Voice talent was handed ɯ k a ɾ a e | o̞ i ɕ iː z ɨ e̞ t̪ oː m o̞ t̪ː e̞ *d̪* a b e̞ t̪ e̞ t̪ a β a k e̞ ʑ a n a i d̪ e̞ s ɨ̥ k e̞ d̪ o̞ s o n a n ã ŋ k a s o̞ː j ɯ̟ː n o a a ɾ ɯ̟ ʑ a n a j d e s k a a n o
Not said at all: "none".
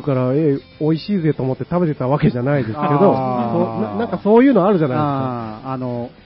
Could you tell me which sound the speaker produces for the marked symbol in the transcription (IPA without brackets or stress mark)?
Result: t̪